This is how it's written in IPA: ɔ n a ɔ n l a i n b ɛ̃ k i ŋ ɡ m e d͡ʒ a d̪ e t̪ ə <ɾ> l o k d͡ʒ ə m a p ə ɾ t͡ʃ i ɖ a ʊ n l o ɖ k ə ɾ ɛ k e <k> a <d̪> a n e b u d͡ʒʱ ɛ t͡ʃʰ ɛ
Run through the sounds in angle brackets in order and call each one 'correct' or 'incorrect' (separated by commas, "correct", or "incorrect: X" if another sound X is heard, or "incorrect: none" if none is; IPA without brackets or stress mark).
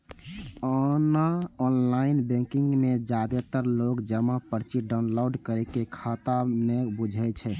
correct, incorrect: kʰ, incorrect: t̪